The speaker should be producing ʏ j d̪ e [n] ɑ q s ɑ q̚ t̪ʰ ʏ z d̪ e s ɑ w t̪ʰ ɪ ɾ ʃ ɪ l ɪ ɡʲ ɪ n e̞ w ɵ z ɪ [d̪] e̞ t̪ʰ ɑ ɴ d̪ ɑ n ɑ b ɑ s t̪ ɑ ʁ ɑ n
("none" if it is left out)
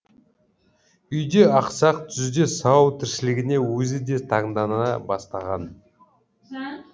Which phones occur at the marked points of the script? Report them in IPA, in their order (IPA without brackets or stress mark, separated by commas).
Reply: none, d̪